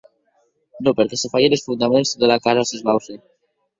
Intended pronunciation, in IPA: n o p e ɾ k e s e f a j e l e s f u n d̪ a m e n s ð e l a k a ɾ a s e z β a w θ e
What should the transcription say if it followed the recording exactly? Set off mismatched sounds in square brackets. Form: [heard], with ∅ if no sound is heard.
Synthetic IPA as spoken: n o p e ɾ k e s e f a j e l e s f u n d̪ a m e n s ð e l a k a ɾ a s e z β a w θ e

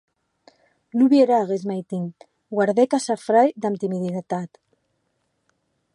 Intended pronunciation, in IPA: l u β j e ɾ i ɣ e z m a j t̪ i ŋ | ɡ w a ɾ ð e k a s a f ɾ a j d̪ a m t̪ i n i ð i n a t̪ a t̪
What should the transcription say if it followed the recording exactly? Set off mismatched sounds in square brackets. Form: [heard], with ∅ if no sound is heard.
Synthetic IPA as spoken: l u β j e ɾ [a] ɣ e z m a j t̪ i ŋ | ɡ w a ɾ ð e k a s a f ɾ a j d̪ a m t̪ i [m] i ð i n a t̪ a t̪

